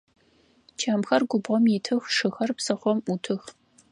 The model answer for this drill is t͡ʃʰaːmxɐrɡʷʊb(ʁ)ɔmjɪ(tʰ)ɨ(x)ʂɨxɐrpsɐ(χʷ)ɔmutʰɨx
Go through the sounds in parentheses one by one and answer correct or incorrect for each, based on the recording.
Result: correct, correct, correct, correct

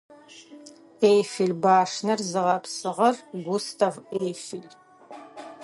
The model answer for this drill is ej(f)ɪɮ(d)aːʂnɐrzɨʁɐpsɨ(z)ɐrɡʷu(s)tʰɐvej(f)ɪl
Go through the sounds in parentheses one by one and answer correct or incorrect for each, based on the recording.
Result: correct, incorrect: b, incorrect: ʁ, correct, correct

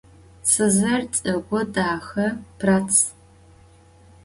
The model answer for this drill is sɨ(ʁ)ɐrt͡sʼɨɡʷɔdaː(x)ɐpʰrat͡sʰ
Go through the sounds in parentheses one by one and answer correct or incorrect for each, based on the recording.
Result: incorrect: z, correct

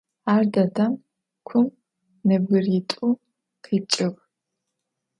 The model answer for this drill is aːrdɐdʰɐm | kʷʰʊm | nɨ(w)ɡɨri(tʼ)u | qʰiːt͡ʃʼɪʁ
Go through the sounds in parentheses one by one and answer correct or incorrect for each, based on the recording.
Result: incorrect: b, correct

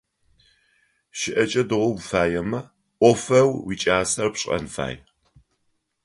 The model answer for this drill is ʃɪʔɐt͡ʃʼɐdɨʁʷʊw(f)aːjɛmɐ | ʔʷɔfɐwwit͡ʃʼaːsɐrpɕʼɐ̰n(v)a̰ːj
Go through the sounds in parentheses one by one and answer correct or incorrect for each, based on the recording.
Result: correct, incorrect: f

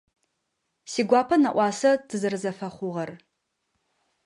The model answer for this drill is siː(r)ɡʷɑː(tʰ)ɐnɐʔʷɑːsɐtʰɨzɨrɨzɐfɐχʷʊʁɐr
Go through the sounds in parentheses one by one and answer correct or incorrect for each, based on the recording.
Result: incorrect: none, incorrect: pʰ

